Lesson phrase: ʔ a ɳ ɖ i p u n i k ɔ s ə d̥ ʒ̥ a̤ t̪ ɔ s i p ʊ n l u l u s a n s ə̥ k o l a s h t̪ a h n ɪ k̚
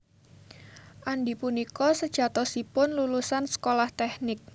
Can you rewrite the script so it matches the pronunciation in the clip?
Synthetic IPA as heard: ʔ a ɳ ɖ i p u n i k ɔ s ə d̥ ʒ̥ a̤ t̪ ɔ s i p ʊ n l u l u s a n s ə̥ k o l a h t̪ ɛ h n ɪ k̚